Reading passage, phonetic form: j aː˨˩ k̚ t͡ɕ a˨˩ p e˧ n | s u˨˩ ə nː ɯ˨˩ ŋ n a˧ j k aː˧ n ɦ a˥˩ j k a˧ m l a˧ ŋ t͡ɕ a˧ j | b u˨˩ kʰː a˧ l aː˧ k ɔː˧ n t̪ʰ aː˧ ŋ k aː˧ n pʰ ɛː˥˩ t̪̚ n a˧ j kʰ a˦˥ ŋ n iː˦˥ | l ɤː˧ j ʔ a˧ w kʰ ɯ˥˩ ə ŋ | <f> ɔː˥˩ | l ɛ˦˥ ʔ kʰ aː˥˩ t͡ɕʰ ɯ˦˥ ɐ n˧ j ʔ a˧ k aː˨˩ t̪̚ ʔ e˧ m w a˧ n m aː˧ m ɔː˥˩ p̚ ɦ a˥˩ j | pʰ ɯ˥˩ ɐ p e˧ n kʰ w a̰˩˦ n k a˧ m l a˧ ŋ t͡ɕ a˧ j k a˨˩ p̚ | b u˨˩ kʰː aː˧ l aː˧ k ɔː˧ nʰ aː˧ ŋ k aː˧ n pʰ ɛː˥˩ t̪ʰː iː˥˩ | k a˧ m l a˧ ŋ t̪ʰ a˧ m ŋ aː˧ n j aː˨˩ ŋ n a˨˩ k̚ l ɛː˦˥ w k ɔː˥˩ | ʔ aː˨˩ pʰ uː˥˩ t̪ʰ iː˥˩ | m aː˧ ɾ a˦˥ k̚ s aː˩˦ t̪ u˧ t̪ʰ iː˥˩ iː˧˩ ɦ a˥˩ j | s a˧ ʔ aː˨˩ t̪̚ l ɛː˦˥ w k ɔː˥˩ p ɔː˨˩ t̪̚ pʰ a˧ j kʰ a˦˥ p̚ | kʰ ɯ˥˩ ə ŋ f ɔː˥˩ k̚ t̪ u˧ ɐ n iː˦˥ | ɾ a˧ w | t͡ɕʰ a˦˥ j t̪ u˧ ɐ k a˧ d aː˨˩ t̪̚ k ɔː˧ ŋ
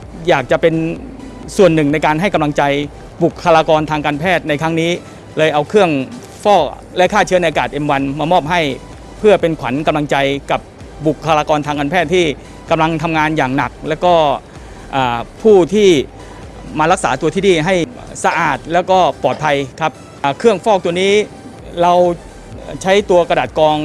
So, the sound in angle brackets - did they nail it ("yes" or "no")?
yes